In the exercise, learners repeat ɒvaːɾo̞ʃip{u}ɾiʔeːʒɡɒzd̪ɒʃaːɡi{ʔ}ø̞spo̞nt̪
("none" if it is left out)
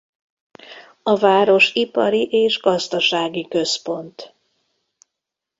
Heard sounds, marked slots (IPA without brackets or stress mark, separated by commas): ɒ, k